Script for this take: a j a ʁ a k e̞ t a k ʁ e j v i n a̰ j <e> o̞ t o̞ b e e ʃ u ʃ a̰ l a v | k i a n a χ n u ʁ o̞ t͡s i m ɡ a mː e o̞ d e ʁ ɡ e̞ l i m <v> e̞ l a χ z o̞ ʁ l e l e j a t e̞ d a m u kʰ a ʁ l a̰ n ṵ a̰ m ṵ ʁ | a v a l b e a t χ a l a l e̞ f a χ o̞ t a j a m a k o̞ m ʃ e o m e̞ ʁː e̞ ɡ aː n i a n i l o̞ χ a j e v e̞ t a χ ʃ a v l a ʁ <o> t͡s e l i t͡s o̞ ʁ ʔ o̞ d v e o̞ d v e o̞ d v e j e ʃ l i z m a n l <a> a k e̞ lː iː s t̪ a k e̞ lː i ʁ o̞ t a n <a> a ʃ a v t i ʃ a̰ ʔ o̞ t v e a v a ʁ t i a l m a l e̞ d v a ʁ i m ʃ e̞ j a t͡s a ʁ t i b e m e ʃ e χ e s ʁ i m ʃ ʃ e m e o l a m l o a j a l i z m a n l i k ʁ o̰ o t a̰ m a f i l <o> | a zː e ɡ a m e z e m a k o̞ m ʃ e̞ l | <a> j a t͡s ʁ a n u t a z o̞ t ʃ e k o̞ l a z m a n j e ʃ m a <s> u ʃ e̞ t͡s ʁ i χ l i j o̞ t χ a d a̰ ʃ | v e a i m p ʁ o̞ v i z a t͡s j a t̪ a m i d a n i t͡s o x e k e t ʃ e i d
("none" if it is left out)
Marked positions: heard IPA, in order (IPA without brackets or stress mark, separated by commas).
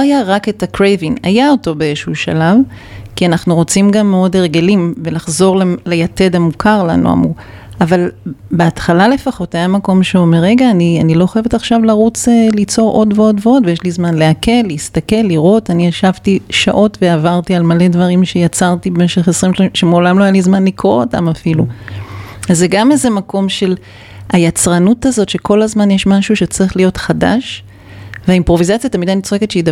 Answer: a, v, u, e, i, u, a, ʃ